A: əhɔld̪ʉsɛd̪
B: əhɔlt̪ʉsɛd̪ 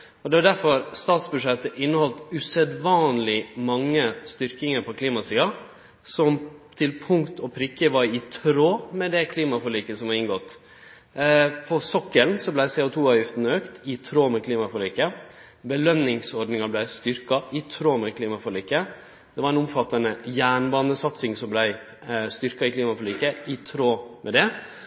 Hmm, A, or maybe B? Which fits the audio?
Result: B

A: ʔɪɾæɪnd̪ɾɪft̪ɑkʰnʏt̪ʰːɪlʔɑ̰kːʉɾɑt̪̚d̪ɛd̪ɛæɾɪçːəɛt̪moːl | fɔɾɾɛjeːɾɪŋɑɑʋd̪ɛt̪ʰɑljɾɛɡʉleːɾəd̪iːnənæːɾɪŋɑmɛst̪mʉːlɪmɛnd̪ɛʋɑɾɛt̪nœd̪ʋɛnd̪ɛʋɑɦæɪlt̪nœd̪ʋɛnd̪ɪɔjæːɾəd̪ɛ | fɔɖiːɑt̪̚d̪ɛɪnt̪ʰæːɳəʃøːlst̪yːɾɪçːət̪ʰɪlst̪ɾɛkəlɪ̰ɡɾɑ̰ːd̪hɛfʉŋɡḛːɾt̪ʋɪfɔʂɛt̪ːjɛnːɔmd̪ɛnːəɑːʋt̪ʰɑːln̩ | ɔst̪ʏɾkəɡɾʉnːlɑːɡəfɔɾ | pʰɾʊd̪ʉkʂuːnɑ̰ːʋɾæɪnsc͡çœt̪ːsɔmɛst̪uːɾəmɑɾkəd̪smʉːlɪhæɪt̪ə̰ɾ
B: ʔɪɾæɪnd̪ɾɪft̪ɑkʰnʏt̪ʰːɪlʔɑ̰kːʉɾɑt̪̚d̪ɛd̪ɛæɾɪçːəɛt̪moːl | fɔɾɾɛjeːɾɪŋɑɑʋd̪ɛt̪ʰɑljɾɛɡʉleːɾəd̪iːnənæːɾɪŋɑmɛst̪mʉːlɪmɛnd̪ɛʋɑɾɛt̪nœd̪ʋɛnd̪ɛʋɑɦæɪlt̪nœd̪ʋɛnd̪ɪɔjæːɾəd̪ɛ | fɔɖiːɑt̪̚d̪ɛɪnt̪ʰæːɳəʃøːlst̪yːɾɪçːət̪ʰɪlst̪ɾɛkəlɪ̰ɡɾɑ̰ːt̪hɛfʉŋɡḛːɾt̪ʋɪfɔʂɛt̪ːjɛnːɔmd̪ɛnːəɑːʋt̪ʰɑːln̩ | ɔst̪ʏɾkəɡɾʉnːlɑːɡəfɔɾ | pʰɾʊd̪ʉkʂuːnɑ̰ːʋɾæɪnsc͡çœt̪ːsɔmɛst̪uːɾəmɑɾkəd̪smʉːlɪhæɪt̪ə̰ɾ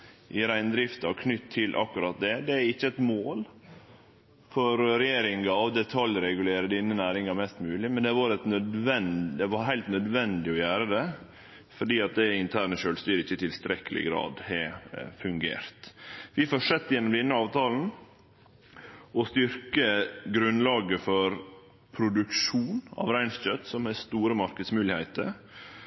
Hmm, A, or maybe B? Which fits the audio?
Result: A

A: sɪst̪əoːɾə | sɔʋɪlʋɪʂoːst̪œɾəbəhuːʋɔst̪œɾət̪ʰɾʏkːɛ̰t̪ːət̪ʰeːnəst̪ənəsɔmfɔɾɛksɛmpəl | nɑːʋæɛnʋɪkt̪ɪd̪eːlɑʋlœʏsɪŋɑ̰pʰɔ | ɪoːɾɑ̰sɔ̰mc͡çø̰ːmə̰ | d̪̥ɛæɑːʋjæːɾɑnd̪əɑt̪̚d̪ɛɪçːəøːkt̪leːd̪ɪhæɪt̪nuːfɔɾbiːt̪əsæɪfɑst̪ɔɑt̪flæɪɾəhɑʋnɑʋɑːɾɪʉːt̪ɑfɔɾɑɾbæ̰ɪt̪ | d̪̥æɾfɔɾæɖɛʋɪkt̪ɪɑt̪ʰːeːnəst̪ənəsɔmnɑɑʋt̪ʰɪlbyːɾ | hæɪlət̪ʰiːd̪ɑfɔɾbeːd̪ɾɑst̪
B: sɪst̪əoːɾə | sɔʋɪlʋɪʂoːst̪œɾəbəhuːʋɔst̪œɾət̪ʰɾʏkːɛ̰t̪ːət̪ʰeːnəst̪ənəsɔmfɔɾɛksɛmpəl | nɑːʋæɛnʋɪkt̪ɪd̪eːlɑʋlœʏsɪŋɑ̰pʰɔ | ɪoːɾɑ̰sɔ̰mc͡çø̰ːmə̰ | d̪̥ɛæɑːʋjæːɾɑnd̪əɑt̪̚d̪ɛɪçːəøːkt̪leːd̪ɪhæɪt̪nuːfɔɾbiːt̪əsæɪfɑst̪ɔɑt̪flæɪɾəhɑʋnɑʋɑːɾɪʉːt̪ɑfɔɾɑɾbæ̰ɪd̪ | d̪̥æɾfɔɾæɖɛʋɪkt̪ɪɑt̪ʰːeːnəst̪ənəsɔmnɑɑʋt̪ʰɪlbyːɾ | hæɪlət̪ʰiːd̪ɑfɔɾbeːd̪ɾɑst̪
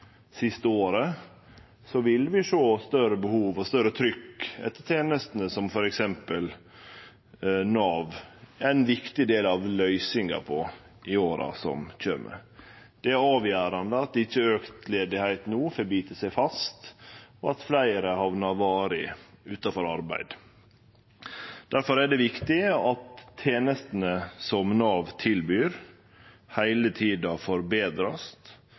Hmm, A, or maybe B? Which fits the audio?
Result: B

